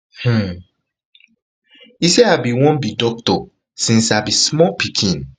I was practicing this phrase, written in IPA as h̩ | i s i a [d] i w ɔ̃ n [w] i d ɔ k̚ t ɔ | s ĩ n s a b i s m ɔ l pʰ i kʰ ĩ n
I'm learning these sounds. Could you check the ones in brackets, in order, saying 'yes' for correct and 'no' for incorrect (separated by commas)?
no, no